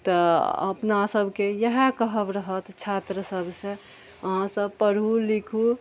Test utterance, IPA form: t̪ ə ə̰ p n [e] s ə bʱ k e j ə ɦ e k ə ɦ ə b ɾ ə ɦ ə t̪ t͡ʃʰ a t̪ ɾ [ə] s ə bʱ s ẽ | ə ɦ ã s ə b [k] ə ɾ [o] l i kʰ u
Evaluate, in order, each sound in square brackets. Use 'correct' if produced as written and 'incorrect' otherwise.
incorrect: a, correct, incorrect: p, incorrect: u

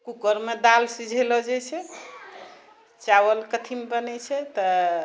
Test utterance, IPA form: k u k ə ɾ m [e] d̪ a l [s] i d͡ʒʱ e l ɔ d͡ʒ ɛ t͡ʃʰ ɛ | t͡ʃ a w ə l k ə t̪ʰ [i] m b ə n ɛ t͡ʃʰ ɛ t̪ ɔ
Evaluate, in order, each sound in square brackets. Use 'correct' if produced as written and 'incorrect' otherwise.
correct, correct, correct

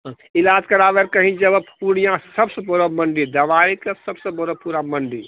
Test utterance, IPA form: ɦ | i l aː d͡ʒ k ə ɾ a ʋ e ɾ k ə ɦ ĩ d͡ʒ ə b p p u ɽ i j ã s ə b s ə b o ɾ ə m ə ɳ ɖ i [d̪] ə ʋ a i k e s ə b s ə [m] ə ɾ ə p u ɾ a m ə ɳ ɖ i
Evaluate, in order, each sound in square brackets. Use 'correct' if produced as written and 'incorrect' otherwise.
correct, incorrect: b

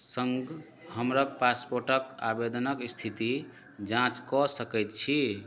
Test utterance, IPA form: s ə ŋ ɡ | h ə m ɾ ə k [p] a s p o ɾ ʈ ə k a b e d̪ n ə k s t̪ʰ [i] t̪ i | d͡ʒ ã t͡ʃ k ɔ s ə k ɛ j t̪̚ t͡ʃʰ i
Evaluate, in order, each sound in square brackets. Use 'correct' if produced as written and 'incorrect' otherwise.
correct, correct

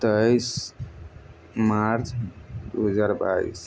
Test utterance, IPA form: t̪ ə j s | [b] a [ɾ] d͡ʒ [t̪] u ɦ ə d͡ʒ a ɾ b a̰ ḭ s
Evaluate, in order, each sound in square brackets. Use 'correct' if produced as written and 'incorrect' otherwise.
incorrect: m, correct, incorrect: d̪

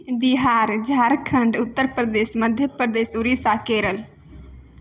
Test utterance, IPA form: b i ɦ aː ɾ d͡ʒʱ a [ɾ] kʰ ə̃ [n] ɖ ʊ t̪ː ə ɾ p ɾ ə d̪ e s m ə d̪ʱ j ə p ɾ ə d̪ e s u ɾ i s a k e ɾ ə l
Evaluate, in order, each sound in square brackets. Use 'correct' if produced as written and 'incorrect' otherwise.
correct, incorrect: ɳ

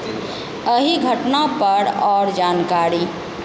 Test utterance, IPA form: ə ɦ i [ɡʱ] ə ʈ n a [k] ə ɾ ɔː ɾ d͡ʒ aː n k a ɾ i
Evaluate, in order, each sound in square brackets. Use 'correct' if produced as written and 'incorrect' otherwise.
correct, incorrect: p

